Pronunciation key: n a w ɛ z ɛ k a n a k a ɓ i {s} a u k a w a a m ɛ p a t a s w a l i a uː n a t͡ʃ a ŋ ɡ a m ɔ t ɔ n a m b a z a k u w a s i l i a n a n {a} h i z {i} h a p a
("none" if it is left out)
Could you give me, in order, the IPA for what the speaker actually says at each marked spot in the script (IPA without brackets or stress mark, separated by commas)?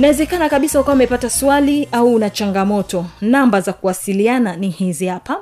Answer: s, i, i